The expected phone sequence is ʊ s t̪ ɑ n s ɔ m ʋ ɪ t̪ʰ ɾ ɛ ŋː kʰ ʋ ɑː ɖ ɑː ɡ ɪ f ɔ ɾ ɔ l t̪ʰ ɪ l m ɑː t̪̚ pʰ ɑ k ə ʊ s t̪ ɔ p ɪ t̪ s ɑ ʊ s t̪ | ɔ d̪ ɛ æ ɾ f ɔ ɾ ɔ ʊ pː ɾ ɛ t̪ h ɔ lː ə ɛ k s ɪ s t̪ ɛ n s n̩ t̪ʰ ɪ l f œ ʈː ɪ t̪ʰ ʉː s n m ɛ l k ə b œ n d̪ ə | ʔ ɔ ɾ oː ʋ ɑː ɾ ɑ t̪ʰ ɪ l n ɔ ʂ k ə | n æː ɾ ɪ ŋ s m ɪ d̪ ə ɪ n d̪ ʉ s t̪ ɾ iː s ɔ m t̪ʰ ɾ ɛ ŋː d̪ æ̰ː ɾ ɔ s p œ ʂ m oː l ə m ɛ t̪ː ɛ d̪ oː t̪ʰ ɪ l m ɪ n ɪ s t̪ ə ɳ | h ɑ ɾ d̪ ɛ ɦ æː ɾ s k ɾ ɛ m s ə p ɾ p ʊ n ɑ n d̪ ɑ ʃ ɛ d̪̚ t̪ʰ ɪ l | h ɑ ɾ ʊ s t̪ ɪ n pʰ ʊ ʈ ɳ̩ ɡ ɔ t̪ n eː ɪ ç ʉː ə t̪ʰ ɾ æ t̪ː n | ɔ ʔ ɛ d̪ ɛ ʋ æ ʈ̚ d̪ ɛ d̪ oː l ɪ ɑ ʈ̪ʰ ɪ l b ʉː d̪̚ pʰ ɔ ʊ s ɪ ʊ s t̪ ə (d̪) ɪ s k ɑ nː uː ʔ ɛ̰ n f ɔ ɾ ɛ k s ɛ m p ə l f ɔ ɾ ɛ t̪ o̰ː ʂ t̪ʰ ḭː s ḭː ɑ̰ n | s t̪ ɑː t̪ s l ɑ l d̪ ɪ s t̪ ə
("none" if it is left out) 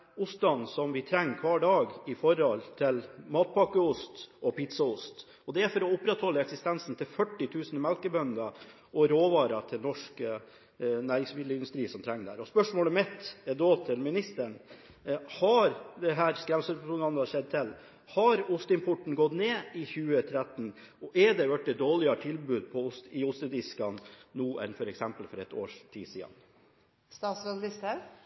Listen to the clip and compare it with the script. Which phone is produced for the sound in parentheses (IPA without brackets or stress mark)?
d̪